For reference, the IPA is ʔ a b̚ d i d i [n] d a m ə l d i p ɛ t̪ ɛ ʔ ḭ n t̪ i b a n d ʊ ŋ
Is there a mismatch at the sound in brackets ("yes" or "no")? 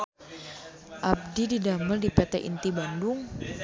yes